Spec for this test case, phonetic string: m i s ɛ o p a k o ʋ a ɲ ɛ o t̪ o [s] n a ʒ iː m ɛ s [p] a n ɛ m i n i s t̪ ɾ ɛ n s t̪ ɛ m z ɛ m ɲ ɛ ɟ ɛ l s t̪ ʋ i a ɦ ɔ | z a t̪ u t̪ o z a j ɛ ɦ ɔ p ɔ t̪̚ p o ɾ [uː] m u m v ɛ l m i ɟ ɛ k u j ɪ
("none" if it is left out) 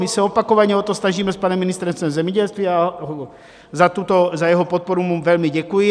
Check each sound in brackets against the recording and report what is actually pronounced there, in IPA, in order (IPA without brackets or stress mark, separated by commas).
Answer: s, p, u